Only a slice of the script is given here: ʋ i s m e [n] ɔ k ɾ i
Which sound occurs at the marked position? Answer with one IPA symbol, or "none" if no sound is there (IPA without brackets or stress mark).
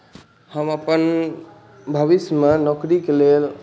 n